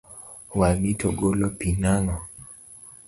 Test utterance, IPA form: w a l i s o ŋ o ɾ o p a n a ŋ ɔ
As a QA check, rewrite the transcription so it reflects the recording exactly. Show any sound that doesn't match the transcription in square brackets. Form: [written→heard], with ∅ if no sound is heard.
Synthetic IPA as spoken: w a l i [s→t] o [ŋ→ɡ] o [ɾ→l] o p [a→i] n a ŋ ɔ